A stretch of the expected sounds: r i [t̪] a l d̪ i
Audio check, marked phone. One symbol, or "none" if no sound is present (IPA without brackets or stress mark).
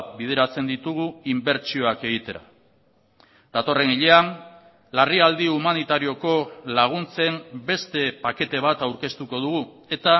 none